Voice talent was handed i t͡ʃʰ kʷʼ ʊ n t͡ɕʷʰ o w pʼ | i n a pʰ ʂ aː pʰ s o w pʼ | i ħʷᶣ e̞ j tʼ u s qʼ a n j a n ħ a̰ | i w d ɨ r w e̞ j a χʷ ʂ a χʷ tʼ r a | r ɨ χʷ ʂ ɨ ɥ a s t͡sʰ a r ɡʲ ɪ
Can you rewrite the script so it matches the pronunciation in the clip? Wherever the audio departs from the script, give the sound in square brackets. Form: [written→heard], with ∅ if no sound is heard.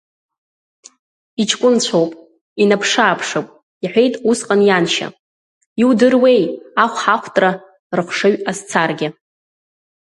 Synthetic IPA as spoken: i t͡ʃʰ kʷʼ ʊ n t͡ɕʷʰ o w pʼ | i n a pʰ ʂ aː pʰ [s→ʂ] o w pʼ | i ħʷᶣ e̞ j tʼ u s qʼ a n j a n [ħ→ʃ] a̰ | i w d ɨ r w e̞ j a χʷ [ʂ→ħ] a χʷ tʼ r a | r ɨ χʷ ʂ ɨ ɥ a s t͡sʰ a r ɡʲ ɪ

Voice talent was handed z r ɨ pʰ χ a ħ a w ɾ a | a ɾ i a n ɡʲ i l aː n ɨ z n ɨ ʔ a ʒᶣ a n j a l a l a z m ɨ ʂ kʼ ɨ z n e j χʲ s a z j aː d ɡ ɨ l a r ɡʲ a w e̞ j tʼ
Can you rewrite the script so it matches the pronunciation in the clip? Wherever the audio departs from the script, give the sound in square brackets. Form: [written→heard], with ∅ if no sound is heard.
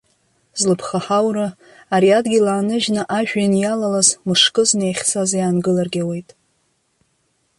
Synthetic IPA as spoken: z [r→l] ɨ pʰ χ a ħ a w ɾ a | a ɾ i a [n→d] ɡʲ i l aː n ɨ [z→ʒ] n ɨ ʔ a ʒᶣ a n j a l a l a z m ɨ ʂ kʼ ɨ z n e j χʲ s a z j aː [d→n] ɡ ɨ l a r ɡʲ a w e̞ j tʼ

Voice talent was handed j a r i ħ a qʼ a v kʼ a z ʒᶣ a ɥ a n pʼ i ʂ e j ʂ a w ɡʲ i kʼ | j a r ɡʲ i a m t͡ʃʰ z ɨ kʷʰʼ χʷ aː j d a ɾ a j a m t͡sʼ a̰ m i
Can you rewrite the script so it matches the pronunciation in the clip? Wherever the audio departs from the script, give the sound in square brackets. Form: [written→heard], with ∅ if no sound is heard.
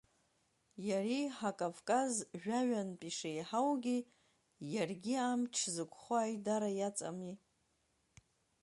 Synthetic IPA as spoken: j a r i ħ a [qʼ→kʼ] a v kʼ a z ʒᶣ a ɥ a n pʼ i ʂ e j [ʂ→ħ] a w ɡʲ i [kʼ→∅] | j a r ɡʲ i a m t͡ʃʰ z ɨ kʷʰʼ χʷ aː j d a ɾ a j a [m→∅] t͡sʼ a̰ m i

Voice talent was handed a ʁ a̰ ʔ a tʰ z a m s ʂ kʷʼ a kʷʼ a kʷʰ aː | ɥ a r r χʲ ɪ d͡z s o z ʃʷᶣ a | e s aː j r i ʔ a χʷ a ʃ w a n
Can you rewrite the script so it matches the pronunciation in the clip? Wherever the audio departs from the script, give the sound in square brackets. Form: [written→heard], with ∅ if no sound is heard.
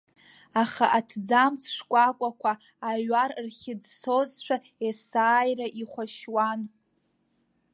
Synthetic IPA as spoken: a [ʁ→χ] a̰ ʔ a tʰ [z→d͡z] a m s ʂ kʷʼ a kʷʼ a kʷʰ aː | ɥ a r r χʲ ɪ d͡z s o z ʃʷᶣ a | e s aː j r [i→a] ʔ [a→i] χʷ a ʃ w a n

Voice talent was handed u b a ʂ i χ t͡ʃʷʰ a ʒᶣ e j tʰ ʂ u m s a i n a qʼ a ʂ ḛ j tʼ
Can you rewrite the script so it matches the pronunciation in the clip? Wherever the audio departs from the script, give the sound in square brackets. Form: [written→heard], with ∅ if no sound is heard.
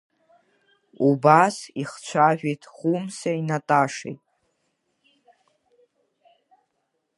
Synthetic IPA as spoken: u b a [ʂ→s] i χ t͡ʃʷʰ a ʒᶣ e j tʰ [ʂ→χ] u m s a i n a [qʼ→tʼ] a ʂ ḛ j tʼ

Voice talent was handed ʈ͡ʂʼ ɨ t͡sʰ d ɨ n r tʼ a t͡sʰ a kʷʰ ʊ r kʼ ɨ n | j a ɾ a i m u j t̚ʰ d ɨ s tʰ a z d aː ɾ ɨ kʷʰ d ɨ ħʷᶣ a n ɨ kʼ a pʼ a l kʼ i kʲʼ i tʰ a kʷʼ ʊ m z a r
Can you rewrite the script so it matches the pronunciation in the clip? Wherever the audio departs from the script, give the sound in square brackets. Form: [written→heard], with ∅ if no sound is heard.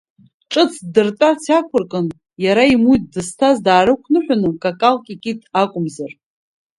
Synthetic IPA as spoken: ʈ͡ʂʼ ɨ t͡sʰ d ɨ [n→∅] r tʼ a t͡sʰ a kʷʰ ʊ r kʼ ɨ n | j a ɾ a i m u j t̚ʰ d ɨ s tʰ a z d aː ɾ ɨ kʷʰ [d→n] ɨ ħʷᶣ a n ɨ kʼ a [pʼ→kʼ] a l kʼ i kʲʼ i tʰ a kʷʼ ʊ m z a r

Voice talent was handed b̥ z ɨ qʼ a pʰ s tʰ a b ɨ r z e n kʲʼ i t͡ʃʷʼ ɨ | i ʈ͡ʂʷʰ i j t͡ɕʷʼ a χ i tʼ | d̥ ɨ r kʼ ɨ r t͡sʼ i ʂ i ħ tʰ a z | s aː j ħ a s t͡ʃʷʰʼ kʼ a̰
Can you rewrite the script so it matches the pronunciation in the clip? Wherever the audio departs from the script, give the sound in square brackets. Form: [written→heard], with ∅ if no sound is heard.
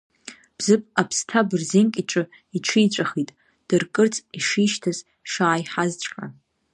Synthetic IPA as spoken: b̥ z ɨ [qʼ→pʼ] a pʰ s tʰ a b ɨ r z e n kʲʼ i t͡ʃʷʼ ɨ | i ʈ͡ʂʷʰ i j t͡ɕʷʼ a χ i tʼ | d̥ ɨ r kʼ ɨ r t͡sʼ i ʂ i [ħ→ʃ] tʰ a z | [s→ʂ] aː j ħ a [s→z] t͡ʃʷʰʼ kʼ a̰

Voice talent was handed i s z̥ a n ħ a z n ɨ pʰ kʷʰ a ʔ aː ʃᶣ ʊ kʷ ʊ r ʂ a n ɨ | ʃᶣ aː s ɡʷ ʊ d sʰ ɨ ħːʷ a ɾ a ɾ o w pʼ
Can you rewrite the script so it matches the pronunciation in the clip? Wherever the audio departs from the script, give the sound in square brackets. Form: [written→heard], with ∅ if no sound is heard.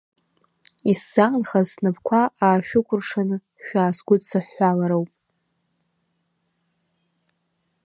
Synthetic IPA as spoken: i s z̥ a n [ħ→χ] a z n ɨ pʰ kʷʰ a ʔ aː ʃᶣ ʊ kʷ ʊ r ʂ a n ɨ | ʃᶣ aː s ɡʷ ʊ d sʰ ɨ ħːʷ a [ɾ→l] a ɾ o w pʼ

